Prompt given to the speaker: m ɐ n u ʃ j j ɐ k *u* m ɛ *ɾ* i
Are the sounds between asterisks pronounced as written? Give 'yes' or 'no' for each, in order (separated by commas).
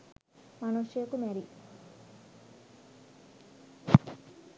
yes, yes